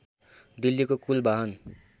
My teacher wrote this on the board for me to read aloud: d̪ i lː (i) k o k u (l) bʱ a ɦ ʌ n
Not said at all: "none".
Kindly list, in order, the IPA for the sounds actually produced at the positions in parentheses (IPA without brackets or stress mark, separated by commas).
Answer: i, l